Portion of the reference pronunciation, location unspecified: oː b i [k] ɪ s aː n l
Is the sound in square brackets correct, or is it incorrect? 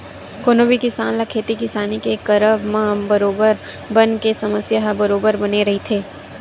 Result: correct